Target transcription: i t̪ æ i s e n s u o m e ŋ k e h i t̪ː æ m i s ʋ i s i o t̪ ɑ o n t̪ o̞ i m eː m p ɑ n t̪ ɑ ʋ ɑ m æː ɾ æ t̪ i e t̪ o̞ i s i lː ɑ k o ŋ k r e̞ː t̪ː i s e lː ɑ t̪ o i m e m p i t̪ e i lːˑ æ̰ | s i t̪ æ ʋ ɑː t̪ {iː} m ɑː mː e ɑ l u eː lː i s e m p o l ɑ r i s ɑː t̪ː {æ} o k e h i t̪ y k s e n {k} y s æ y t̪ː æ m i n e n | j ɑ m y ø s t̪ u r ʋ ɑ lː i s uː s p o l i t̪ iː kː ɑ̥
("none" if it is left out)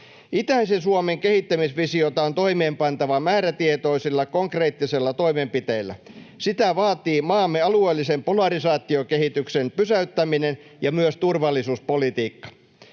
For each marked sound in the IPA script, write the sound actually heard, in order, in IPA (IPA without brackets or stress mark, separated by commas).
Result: iː, i, p